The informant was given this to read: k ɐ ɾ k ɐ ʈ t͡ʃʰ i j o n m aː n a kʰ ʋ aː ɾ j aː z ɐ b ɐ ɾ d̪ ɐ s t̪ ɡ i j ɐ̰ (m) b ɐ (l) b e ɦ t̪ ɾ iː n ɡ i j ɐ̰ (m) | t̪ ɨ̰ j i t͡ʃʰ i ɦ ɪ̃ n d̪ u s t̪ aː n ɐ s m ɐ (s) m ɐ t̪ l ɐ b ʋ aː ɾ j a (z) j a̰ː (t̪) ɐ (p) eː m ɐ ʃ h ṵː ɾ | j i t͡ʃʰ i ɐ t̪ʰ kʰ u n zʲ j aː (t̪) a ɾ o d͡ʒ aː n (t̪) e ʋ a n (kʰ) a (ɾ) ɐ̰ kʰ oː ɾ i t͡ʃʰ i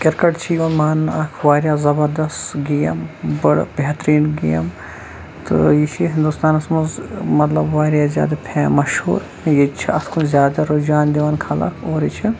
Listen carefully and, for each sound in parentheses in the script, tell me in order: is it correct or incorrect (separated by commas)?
correct, incorrect, correct, incorrect, correct, incorrect, incorrect, incorrect, incorrect, correct, incorrect